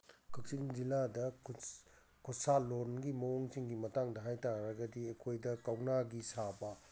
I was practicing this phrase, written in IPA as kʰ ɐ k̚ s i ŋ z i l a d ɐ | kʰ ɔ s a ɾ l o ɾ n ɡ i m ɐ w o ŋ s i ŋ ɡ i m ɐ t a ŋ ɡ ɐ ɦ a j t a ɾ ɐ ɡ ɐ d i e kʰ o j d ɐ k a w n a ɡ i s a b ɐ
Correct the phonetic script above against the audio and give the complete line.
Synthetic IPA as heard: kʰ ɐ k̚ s i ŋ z i l a d ɐ | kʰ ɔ s a l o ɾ n ɡ i m ɐ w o ŋ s i ŋ ɡ i m ɐ t a ŋ d ɐ ɦ a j t a ɾ ɐ ɡ ɐ d i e kʰ o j d ɐ k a w n a ɡ i s a b ɐ